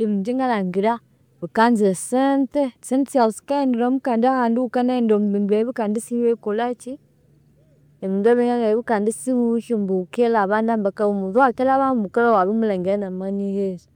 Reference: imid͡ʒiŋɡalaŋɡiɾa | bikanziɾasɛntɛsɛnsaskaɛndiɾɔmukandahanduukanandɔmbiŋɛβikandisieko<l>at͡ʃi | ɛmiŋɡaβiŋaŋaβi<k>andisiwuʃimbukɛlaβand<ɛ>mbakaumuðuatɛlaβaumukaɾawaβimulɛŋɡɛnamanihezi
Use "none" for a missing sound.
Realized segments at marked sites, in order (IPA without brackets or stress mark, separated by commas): l, k, a